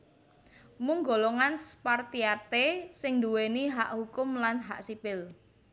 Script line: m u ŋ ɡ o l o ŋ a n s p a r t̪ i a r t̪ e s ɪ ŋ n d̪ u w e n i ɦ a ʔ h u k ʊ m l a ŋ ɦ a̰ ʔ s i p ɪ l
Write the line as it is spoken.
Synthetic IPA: m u ŋ ɡ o l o ŋ a n s p a r t̪ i a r t̪ e s ɪ ŋ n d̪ u w e n i ɦ a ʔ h u k ʊ m l a n ɦ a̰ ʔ s i p ɪ l

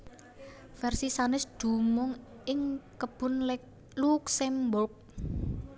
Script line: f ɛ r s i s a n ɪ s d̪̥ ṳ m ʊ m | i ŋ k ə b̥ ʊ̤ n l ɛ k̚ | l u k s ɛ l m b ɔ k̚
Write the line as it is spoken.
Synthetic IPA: f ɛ r s i s a n ɪ s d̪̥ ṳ m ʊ ŋ | ɪ ŋ k ə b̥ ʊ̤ n l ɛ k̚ | l u k s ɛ m b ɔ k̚

